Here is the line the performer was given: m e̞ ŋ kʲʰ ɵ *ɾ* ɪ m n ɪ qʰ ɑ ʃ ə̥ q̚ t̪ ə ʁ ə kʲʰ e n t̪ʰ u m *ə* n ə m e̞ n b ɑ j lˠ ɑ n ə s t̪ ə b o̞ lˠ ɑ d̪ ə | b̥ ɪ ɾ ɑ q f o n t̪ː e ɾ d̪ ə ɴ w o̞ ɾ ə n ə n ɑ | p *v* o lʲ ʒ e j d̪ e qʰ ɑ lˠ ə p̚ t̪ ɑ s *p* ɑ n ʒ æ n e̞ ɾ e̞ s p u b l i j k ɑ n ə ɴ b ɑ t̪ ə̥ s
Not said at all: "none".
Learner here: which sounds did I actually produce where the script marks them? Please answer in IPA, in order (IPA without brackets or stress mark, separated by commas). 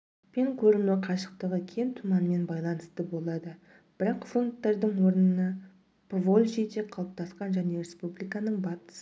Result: ɾ, ɑ, v, q